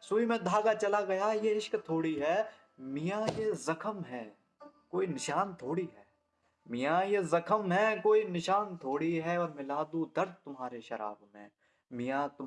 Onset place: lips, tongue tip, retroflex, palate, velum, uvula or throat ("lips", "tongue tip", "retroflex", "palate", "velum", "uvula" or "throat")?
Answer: tongue tip